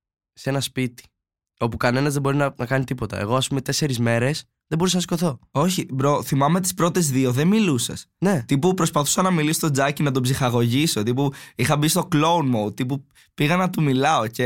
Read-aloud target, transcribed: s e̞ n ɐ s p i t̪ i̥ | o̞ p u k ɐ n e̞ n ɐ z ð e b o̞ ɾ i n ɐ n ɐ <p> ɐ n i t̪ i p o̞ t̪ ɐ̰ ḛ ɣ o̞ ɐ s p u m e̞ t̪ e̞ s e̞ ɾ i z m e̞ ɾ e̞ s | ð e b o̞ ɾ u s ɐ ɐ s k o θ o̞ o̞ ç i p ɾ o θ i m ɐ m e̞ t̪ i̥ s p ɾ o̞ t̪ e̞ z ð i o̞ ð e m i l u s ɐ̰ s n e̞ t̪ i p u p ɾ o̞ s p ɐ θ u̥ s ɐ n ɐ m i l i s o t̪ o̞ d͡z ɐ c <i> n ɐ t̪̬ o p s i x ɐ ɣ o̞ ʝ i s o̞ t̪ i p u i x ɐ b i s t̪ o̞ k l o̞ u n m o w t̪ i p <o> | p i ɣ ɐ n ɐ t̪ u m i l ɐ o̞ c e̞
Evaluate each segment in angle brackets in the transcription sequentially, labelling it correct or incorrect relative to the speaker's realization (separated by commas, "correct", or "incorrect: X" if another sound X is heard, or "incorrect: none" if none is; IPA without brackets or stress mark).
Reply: incorrect: k, correct, incorrect: u